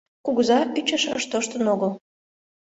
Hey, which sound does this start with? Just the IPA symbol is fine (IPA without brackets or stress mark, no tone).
k